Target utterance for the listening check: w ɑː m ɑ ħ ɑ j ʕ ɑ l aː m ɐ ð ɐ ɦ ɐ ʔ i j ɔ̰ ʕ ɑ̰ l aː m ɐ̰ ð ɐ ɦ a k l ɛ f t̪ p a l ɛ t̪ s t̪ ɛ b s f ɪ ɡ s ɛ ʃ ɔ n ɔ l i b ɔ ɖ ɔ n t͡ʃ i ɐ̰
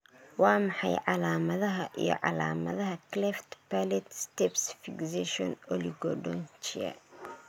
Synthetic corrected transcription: w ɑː m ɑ ħ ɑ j ʕ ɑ l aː m ɐ ð ɐ ɦ ɐ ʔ i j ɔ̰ ʕ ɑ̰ l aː m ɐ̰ ð ɐ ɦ ɐ k l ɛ f t̪ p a l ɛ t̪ s t̪ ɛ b s f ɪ ɡ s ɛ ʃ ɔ n ɔ l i ɡ ɔ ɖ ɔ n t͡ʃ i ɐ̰